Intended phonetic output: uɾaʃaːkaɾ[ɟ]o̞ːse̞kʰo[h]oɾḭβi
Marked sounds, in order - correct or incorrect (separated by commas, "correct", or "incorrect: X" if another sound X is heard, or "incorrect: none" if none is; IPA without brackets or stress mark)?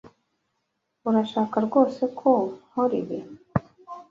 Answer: incorrect: ɡ, correct